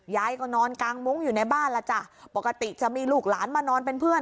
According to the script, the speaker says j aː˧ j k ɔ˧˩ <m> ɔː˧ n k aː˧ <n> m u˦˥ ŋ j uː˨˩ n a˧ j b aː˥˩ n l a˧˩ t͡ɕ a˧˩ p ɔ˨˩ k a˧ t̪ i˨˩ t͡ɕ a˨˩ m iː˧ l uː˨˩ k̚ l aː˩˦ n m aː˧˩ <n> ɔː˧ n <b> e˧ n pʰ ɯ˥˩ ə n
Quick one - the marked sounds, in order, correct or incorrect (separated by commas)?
incorrect, incorrect, correct, incorrect